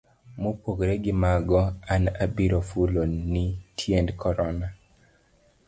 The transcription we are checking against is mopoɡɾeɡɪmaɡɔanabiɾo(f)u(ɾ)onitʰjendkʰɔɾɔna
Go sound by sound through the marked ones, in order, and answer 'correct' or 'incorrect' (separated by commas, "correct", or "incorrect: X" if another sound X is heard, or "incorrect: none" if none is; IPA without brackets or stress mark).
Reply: correct, incorrect: l